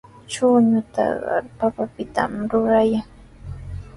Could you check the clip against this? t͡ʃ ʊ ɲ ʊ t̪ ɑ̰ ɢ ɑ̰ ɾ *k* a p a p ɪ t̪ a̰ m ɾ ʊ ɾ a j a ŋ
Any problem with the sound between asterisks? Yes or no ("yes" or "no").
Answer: yes